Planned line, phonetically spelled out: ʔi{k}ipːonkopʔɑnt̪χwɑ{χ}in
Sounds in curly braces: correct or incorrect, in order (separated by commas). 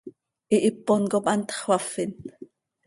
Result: incorrect, incorrect